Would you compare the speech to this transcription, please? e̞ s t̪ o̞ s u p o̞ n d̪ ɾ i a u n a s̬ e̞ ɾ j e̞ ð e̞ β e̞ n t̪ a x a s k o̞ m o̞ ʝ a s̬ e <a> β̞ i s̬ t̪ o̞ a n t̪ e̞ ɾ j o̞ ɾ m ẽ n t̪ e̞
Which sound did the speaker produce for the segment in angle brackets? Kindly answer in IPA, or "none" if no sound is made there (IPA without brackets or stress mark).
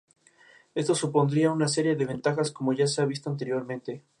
a